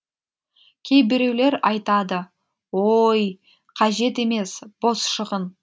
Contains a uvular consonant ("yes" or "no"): yes